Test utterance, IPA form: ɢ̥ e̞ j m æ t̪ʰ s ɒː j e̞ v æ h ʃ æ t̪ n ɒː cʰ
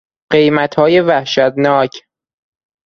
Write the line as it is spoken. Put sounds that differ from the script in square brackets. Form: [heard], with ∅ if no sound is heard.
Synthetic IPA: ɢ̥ e̞ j m æ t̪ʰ [h] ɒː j e̞ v æ h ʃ æ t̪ n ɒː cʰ